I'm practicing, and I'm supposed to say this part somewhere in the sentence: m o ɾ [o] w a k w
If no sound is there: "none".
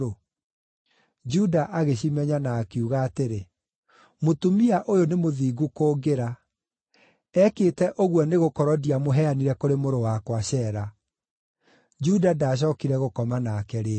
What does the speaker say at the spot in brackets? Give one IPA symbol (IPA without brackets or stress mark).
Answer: o